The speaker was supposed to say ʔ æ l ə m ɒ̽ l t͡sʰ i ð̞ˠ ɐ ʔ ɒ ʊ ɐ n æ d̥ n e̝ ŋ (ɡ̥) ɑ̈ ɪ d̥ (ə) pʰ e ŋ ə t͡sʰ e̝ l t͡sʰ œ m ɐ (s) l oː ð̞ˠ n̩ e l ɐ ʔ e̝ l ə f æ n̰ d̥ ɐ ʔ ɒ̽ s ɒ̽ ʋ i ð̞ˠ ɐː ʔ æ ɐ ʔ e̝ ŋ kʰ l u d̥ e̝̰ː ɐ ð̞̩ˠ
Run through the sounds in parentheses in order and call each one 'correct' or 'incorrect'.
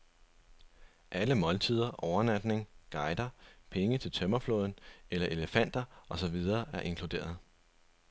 correct, incorrect: ɐ, incorrect: f

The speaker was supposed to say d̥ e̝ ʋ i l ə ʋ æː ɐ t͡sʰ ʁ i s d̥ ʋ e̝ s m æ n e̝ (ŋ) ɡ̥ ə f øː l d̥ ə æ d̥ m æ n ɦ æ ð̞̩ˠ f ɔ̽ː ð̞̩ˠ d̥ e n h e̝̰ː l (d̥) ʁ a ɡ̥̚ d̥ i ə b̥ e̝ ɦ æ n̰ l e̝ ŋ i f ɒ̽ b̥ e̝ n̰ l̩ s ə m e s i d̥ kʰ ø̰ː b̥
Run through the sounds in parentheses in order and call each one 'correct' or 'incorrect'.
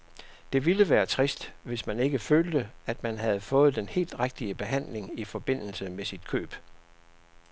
incorrect: none, correct

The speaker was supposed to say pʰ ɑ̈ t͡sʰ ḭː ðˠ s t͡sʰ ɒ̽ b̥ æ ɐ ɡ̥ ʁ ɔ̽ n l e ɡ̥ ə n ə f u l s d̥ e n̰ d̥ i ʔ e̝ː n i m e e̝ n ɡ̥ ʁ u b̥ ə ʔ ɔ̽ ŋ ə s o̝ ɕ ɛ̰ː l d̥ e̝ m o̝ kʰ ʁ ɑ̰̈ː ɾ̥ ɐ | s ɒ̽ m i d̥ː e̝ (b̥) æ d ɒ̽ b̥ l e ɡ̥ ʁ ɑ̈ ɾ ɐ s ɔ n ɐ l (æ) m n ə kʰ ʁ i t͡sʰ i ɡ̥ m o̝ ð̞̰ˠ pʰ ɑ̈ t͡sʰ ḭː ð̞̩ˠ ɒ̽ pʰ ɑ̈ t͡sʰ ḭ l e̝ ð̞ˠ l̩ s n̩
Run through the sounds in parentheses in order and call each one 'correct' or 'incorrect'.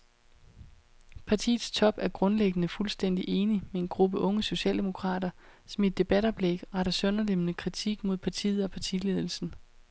correct, incorrect: e

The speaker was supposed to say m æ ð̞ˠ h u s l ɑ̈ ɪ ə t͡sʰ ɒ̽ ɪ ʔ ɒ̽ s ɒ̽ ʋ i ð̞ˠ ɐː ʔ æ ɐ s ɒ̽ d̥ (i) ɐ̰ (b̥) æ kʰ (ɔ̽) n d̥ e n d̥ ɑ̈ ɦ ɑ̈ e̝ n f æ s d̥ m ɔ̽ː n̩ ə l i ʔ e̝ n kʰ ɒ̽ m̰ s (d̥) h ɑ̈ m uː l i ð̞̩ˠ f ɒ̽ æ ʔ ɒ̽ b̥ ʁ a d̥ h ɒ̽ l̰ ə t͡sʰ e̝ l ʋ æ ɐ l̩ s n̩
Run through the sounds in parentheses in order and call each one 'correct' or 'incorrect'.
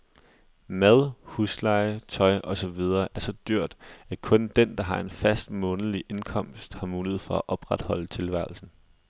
incorrect: y, incorrect: d̥, correct, correct

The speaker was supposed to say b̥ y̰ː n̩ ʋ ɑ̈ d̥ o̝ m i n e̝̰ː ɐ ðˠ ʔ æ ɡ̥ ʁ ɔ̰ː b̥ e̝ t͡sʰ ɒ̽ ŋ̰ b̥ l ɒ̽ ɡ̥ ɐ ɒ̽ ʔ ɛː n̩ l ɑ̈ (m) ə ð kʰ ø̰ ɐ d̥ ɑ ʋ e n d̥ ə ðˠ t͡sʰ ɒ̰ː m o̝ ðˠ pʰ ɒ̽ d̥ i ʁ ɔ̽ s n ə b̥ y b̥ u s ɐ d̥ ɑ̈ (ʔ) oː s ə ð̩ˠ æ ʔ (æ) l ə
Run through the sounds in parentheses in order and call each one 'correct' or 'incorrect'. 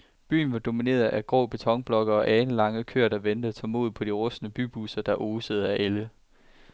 incorrect: ŋ, correct, incorrect: e

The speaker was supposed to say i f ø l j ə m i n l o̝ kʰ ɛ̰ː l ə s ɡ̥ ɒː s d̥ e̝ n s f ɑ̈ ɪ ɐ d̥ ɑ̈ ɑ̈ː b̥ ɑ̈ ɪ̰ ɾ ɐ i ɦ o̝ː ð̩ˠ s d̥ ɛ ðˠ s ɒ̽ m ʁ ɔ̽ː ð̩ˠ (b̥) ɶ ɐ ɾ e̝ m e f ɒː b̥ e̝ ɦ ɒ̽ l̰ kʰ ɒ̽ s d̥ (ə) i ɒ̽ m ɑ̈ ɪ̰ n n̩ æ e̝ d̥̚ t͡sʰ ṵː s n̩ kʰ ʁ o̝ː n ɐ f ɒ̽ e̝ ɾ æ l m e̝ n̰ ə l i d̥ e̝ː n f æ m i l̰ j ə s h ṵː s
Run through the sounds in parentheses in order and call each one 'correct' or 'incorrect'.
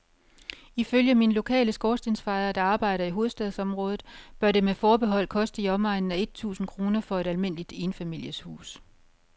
correct, correct

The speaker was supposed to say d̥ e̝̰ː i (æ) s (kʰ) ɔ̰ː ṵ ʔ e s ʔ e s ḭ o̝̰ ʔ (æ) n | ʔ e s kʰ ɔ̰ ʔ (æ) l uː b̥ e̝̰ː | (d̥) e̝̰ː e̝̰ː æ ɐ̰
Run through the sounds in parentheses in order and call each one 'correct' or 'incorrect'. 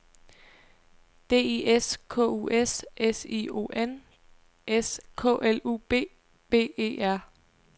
incorrect: e, correct, incorrect: e, incorrect: e, incorrect: b̥

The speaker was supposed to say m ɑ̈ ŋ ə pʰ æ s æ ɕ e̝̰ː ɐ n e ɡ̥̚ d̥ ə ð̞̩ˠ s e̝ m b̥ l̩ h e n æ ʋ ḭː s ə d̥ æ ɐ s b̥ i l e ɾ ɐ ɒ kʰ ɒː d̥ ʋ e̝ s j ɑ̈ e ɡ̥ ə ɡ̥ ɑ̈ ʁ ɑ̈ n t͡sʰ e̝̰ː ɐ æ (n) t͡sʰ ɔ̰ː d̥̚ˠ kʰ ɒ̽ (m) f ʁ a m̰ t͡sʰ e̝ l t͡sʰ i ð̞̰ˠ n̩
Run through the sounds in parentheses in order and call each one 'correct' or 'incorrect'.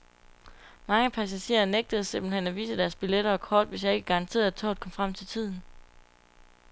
incorrect: none, correct

